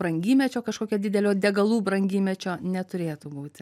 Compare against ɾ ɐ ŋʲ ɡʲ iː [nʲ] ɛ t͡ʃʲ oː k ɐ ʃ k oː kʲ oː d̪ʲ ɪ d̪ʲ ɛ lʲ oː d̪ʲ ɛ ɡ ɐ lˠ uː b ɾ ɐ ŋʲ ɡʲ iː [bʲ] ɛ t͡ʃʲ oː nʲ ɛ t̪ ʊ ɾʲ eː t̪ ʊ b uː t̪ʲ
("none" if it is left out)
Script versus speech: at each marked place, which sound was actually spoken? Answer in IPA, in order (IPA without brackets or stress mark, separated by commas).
mʲ, mʲ